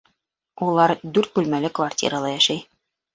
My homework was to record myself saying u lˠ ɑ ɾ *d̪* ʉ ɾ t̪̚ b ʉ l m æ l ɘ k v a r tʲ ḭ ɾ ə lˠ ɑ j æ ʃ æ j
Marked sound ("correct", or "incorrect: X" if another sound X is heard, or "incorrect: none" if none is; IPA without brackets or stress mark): correct